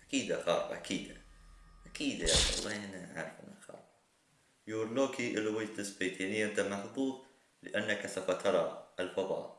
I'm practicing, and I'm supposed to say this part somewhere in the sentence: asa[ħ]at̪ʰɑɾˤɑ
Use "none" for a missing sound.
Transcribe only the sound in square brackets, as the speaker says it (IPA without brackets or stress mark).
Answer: f